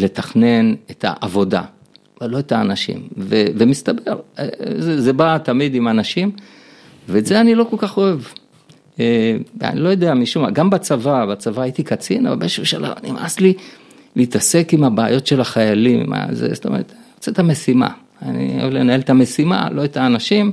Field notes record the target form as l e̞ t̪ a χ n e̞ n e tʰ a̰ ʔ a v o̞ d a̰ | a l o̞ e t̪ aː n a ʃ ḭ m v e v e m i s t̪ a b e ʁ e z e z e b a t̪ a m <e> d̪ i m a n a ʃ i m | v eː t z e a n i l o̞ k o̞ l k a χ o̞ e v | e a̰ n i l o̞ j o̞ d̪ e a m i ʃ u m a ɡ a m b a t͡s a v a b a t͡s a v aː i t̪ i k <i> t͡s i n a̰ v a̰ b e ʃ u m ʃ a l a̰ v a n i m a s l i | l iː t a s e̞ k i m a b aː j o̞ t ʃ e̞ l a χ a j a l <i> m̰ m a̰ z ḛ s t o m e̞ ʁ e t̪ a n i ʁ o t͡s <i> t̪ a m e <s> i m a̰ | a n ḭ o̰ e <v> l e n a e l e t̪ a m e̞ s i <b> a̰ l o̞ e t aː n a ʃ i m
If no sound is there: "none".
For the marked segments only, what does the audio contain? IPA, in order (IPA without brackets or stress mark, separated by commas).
i, a, i, e, s, v, m